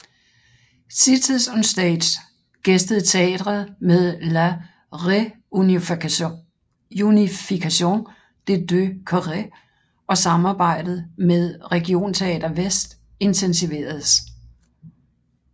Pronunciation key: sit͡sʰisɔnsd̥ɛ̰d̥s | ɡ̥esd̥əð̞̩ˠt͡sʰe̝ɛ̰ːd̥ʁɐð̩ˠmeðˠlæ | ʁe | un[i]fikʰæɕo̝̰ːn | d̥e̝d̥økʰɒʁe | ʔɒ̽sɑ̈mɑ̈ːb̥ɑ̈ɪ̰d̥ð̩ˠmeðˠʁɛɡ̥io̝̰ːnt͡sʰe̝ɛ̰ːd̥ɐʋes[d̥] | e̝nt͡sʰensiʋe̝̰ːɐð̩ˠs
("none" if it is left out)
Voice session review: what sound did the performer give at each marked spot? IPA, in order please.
i, d̥

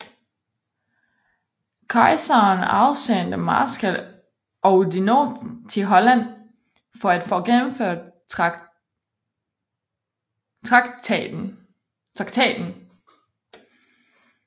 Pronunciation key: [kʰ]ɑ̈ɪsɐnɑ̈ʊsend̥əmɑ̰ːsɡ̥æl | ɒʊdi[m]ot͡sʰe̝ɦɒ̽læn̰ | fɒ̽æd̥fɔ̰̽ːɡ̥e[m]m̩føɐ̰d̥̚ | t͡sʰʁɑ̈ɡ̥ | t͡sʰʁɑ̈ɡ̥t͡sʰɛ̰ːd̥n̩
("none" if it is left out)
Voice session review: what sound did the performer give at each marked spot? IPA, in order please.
kʰ, n, n

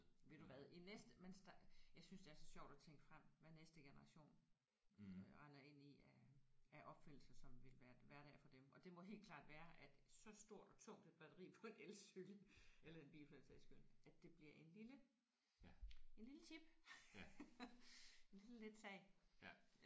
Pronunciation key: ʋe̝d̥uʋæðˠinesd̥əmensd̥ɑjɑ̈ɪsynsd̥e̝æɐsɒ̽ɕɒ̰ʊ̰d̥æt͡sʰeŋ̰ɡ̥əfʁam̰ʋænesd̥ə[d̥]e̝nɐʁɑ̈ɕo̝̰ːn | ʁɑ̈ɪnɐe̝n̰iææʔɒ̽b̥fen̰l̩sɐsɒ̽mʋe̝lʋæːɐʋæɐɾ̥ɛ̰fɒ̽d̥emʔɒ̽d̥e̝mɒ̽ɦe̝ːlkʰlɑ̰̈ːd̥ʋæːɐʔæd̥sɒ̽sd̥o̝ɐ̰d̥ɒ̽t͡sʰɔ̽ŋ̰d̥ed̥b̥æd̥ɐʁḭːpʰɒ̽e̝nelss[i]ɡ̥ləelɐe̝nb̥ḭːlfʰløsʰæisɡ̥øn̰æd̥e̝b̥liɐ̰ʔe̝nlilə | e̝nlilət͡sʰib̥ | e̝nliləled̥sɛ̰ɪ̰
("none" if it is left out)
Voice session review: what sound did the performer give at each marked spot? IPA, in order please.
ɡ̥, y

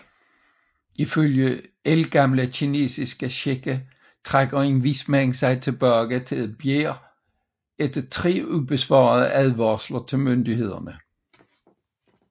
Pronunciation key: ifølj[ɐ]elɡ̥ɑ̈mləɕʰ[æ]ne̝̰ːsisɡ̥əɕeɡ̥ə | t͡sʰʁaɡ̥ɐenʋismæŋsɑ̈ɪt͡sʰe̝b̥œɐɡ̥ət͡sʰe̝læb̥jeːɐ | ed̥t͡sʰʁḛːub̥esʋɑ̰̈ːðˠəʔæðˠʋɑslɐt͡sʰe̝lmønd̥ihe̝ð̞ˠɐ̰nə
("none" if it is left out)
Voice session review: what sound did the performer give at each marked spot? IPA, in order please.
ə, i

